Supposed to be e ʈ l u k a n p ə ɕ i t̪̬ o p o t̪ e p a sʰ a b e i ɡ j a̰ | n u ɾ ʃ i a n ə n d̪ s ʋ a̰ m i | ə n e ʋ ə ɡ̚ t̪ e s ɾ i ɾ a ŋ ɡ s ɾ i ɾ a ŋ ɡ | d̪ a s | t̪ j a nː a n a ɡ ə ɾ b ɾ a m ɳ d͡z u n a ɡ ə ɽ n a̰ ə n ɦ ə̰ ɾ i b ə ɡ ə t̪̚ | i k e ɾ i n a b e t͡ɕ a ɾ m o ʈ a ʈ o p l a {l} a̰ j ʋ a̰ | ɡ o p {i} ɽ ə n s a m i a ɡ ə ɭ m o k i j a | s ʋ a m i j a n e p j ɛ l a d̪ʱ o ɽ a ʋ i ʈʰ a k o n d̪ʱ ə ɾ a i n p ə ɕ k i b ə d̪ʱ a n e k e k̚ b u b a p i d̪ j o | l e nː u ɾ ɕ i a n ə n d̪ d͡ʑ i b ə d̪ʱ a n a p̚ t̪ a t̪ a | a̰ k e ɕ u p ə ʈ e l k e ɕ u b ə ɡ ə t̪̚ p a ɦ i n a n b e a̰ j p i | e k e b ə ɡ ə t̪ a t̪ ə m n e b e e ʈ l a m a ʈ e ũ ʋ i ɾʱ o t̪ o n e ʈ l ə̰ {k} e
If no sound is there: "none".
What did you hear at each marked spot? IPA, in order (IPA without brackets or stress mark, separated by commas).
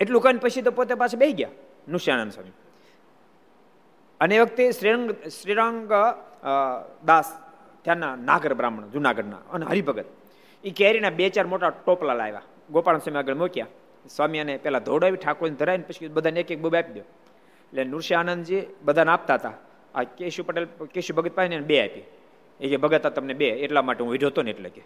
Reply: l, a, k